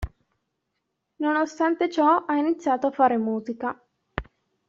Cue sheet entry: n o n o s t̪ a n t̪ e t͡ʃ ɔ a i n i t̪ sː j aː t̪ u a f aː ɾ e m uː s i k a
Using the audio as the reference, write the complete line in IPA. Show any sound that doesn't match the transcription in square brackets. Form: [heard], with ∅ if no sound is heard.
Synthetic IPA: n o n o s t̪ a n t̪ e t͡ʃ ɔ a i n i t̪ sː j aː t̪ [o] a f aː ɾ e m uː [z] i k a